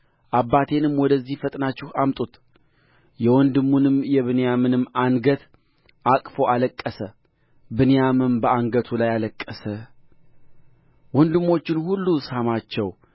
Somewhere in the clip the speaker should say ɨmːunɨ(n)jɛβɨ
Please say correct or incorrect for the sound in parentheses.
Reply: incorrect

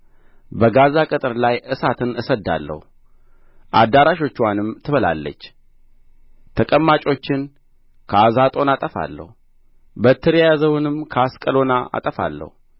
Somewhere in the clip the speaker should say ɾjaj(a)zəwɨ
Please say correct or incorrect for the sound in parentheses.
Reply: correct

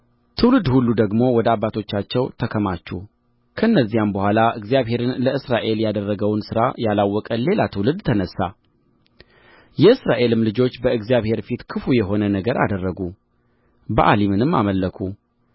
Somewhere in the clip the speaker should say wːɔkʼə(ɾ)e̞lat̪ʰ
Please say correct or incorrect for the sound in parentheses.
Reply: incorrect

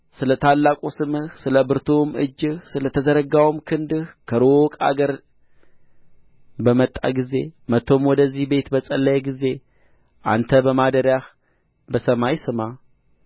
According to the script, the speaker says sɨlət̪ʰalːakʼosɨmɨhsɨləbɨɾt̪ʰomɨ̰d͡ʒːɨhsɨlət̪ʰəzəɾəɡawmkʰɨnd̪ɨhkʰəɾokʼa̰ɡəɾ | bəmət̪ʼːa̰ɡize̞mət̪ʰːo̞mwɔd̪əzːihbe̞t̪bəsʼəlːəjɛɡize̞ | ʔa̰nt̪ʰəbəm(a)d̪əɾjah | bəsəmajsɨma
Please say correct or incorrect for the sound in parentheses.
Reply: correct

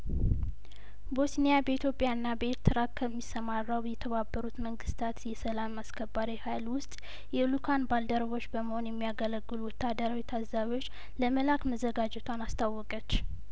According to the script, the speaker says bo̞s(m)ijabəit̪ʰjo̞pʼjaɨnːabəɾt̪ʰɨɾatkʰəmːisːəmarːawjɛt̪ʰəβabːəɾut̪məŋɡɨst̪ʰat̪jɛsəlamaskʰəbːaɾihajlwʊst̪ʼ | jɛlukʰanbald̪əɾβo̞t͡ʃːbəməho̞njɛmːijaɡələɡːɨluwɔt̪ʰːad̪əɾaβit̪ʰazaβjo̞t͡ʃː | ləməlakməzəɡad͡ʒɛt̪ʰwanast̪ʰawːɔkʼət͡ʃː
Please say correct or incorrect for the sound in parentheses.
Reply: incorrect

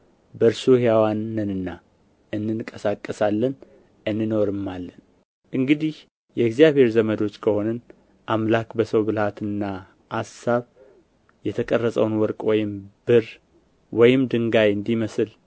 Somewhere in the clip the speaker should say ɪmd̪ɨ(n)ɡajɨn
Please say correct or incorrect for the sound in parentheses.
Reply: incorrect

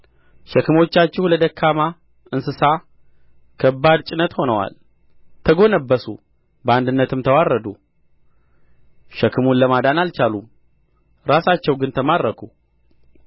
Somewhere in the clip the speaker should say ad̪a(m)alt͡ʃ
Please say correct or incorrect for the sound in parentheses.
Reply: incorrect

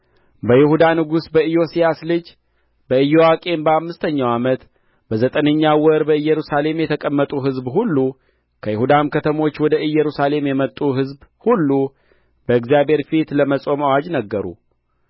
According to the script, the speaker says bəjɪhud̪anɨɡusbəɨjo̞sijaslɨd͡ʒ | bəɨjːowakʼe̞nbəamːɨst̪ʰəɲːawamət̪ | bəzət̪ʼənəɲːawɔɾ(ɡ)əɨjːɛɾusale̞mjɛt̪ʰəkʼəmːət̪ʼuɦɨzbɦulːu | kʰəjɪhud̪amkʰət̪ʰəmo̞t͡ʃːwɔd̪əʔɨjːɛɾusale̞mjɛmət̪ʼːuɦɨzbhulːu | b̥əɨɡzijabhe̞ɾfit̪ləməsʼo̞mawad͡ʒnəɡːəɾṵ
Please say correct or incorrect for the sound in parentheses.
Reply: incorrect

